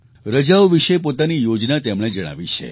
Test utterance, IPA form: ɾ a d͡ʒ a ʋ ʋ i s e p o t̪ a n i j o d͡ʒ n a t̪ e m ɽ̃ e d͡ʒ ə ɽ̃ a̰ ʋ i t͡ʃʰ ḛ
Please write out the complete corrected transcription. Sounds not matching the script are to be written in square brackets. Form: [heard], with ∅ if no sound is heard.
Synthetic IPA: ɾ [ə] d͡ʒ a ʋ ʋ i [ʃ] e p o t̪ a n i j o d͡ʒ n a t̪ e m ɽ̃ e d͡ʒ ə ɽ̃ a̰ ʋ i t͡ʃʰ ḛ